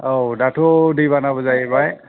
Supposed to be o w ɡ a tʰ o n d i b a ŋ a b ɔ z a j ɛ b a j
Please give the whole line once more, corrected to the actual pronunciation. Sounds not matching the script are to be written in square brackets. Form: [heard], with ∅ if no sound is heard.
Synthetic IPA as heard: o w [d] a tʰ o [∅] d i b a [n] a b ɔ z a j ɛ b a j